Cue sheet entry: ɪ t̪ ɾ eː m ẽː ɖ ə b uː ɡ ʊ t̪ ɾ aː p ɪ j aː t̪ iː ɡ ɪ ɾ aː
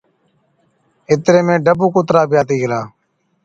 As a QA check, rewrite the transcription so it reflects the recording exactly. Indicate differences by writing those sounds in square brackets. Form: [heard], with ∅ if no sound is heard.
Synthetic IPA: ɪ t̪ ɾ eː m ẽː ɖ ə b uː [k] ʊ t̪ ɾ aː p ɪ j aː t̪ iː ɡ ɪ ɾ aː